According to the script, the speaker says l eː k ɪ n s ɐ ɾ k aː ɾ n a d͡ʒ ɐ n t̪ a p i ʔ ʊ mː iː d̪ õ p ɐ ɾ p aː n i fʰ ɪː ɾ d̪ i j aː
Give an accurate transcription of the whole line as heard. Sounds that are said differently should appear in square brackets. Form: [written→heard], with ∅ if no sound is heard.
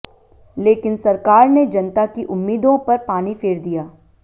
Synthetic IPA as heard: l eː k ɪ n s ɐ ɾ k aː ɾ n [a→e] d͡ʒ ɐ n t̪ a [p→k] i ʔ ʊ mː iː d̪ õ p ɐ ɾ p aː n i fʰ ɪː ɾ d̪ i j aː

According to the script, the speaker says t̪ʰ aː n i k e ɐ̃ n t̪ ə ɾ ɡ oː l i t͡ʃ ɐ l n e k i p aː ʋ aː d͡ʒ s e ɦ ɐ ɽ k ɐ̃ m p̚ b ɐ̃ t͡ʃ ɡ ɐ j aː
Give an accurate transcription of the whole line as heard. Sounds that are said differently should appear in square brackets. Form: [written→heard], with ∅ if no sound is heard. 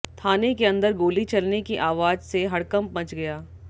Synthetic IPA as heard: t̪ʰ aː n [i→e] k e ɐ̃ n [t̪→d̪] ə ɾ ɡ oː l i t͡ʃ ɐ l n e k i [p→ʔ] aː ʋ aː d͡ʒ s e ɦ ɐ ɽ k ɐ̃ m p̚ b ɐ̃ t͡ʃ ɡ ɐ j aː

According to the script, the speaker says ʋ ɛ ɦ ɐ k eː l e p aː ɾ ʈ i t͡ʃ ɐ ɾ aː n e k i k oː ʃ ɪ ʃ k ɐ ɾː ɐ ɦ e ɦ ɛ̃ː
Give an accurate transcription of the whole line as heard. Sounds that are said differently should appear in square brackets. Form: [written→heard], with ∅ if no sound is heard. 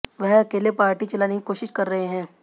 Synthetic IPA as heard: ʋ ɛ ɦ ɐ k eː l e p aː ɾ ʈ i t͡ʃ ɐ [ɾ→l] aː n e k i k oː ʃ ɪ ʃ k ɐ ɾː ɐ ɦ e ɦ ɛ̃ː

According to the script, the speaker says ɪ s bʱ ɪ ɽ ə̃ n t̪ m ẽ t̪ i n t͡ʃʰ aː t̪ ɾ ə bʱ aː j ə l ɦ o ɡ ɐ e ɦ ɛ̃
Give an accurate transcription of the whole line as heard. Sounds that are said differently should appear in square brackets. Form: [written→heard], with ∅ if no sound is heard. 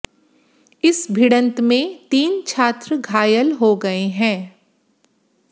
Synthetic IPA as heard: ɪ s bʱ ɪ ɽ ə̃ n t̪ m ẽ t̪ [i→iː] n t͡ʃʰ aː t̪ ɾ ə [bʱ→ɡʱ] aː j ə l ɦ o ɡ ɐ e ɦ [ɛ̃→ɛ̃ː]

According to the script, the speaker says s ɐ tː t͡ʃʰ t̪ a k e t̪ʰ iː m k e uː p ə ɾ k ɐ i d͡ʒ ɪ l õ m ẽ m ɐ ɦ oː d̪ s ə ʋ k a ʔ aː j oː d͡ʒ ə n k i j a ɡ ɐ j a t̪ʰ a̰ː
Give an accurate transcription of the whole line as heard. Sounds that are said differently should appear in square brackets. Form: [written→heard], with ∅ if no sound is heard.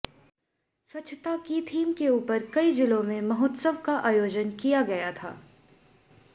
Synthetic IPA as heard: s ɐ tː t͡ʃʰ t̪ a k [e→i] t̪ʰ iː m k e uː p ə ɾ k ɐ i d͡ʒ ɪ l õ m ẽ m ɐ ɦ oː [d̪→t̪] s ə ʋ k a ʔ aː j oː d͡ʒ ə n k i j a ɡ ɐ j a t̪ʰ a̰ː

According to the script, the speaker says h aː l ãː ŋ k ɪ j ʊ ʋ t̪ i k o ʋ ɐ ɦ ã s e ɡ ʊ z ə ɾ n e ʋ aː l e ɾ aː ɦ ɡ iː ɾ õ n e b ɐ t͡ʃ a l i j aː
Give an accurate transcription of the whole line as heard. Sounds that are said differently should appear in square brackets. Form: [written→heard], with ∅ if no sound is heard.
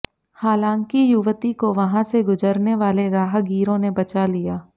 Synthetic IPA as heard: h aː l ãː ŋ k [ɪ→i] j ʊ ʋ t̪ i k o ʋ ɐ ɦ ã s e ɡ ʊ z ə ɾ n e ʋ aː l e ɾ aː ɦ ɡ iː ɾ õ n e b ɐ t͡ʃ a l i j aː

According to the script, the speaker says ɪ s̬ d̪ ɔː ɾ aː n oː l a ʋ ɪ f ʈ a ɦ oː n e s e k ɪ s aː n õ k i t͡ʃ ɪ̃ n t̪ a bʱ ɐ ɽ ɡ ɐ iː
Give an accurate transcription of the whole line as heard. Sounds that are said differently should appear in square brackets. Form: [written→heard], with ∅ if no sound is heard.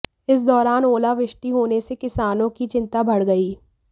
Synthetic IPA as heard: ɪ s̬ d̪ ɔː ɾ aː n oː l a ʋ ɪ [f→ʃ] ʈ [a→i] ɦ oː n e s e k ɪ s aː n õ k i t͡ʃ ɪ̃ n t̪ a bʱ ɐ ɽ ɡ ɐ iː

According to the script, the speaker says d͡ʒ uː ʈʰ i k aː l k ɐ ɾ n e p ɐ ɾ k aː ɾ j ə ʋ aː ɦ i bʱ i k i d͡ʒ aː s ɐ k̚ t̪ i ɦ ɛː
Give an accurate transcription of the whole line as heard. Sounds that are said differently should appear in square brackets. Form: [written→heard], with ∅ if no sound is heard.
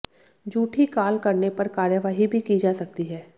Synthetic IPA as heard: d͡ʒ uː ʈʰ i k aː l k ɐ ɾ n e p ɐ ɾ k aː ɾ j ə ʋ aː ɦ i bʱ i k i d͡ʒ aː s ɐ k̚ t̪ i ɦ ɛː

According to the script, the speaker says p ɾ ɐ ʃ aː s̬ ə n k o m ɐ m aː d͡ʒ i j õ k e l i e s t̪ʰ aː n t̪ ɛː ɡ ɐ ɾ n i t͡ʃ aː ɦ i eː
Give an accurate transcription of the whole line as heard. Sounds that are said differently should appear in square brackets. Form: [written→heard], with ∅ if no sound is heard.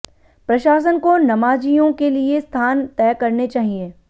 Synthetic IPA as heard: p ɾ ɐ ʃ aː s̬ ə n k o [m→n] ɐ m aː d͡ʒ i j õ k e l i e s t̪ʰ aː n t̪ ɛː [ɡ→k] ɐ ɾ n [i→e] t͡ʃ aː ɦ i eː

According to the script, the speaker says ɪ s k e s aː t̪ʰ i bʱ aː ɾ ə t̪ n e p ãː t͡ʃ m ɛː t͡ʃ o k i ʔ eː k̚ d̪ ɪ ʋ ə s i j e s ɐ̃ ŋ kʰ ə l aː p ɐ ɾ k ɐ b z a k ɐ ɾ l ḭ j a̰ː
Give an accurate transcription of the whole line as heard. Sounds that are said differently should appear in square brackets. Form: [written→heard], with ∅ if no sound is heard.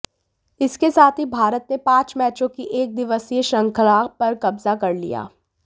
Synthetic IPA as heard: ɪ s k e s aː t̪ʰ i bʱ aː ɾ ə t̪ n e p ãː t͡ʃ m ɛː t͡ʃ [o→õ] k i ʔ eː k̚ d̪ ɪ ʋ ə s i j e [s→ʃ] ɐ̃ ŋ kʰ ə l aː p ɐ ɾ k ɐ b z a k ɐ ɾ l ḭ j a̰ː

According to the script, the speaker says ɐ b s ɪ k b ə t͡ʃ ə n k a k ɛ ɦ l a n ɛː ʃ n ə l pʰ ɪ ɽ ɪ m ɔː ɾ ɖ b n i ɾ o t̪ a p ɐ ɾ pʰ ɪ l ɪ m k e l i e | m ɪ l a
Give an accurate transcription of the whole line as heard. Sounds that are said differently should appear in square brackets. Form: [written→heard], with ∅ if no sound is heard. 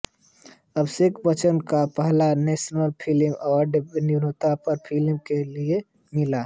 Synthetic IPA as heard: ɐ b s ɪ k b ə t͡ʃ ə n k a [k→p] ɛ ɦ l a n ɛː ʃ n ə l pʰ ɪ [ɽ→l] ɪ m ɔː ɾ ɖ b n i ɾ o t̪ a p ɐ ɾ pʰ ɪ l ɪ m k e l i e | m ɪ l a

